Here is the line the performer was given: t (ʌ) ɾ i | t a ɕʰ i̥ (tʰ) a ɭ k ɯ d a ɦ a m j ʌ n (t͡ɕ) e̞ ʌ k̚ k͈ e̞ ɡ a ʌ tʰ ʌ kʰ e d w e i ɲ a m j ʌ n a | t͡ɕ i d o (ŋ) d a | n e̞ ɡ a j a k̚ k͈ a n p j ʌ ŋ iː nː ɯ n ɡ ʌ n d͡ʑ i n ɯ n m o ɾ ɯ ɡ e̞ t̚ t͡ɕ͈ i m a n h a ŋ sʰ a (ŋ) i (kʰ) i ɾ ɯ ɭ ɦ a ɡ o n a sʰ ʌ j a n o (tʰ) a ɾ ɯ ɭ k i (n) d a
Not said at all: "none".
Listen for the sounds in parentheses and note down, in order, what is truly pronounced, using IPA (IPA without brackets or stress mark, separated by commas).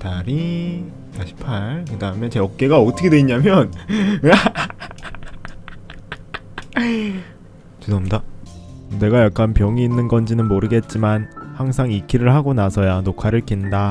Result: a, pʰ, t͡ɕ, m, ŋ, kʰ, kʰ, n